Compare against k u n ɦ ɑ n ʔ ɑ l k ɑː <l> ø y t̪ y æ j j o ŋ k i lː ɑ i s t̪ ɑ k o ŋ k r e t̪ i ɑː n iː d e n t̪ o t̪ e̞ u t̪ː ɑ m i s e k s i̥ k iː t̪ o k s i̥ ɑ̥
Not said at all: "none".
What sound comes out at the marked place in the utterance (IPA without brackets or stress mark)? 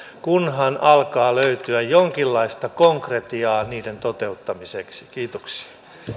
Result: l